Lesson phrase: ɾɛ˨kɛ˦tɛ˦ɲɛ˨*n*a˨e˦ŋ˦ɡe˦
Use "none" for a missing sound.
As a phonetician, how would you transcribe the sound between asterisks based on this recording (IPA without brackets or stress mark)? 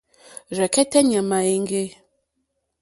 m